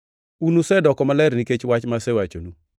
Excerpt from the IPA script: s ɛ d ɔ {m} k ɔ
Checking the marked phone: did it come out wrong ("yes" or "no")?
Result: yes